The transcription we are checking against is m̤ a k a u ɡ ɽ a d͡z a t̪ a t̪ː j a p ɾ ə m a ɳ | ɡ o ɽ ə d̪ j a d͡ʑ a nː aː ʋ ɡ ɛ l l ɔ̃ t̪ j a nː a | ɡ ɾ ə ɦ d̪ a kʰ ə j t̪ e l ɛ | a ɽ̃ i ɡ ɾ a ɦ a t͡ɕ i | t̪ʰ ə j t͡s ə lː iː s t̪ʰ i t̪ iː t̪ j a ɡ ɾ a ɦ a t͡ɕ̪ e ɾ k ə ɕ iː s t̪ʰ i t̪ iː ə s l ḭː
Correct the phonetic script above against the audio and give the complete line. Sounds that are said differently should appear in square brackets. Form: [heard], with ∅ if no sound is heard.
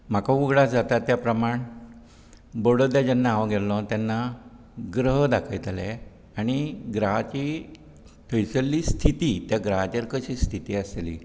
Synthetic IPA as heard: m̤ a k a u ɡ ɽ a d͡z a t̪ a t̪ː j a p ɾ ə m a ɳ | [b] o ɽ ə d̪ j a d͡ʑ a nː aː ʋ ɡ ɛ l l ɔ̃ t̪ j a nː a | ɡ ɾ ə ɦ d̪ a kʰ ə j t̪ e l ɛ | a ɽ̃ i ɡ ɾ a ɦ a t͡ɕ i | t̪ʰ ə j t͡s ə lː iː s t̪ʰ i t̪ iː t̪ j a ɡ ɾ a ɦ a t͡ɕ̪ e ɾ k ə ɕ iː s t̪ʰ i t̪ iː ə s l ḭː